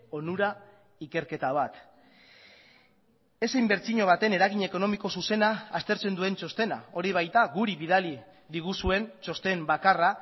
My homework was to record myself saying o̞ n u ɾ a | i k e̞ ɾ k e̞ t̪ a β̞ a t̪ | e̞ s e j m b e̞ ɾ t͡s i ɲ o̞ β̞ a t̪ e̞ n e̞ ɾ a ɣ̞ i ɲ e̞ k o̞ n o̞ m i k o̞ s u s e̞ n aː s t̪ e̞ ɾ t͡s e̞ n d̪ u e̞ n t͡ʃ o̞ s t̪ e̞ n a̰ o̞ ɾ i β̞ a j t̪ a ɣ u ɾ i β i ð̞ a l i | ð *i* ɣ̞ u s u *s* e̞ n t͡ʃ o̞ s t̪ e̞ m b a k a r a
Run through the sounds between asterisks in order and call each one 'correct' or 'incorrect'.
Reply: correct, incorrect: none

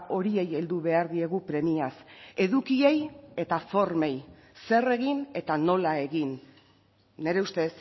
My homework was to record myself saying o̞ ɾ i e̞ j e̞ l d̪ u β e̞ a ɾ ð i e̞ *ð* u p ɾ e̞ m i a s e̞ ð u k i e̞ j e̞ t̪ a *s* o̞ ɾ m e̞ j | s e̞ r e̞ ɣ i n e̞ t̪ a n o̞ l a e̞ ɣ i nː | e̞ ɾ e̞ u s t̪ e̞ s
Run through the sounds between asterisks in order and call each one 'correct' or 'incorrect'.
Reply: incorrect: ɣ, incorrect: f

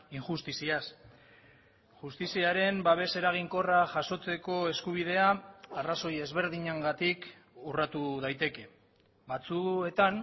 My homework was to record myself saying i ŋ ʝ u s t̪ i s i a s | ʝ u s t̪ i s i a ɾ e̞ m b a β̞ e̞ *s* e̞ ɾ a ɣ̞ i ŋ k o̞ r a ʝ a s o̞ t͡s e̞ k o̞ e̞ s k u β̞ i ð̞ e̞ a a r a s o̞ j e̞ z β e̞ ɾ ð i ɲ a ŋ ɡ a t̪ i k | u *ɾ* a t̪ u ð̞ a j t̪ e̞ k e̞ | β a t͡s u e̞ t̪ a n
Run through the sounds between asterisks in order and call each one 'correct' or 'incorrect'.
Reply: correct, incorrect: r

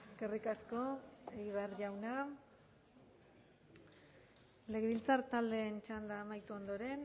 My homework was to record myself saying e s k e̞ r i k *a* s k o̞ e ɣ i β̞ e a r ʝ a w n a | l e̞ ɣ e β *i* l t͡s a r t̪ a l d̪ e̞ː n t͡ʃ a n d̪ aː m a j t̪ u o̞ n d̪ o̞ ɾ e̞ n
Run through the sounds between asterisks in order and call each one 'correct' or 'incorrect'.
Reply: correct, correct

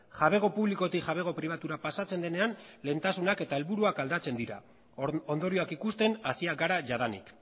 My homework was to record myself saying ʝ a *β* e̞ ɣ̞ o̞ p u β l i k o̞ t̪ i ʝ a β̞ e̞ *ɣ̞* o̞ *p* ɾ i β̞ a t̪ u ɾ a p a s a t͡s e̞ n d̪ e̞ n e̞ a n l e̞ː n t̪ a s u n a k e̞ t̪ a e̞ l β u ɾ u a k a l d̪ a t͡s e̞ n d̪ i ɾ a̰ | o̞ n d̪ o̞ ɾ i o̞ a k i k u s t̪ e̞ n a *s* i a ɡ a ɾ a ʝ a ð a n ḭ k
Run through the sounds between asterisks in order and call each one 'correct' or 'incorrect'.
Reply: correct, correct, correct, correct

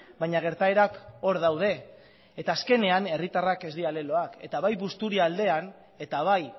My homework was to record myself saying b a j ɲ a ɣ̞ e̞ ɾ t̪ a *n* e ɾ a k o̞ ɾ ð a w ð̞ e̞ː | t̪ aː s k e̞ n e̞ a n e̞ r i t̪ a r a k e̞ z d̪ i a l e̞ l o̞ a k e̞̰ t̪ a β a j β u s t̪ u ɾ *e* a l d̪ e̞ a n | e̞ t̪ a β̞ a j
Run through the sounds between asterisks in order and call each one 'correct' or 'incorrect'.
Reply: incorrect: none, incorrect: i

